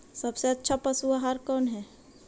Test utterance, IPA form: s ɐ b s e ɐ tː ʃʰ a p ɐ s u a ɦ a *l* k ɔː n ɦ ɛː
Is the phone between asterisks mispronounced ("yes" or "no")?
yes